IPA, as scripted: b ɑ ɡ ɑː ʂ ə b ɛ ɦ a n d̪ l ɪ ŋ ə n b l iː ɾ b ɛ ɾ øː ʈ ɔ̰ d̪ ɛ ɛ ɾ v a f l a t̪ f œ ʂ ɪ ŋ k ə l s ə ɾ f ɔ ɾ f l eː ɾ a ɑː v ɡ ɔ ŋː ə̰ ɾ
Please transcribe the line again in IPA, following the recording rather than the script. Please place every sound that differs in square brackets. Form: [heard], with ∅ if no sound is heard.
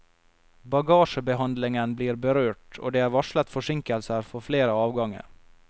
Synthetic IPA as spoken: b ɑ ɡ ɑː ʂ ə b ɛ ɦ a n d̪ l ɪ ŋ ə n b l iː ɾ b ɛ ɾ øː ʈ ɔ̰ d̪ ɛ [æ] ɾ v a [ʂ] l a t̪ f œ ʂ ɪ ŋ k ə l s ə ɾ f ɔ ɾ f l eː ɾ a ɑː v ɡ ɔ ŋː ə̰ ɾ